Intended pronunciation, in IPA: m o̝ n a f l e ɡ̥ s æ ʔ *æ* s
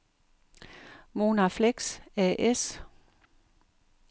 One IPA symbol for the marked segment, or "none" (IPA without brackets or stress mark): e